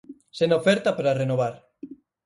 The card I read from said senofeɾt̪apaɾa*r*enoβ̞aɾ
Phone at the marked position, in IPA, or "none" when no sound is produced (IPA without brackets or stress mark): r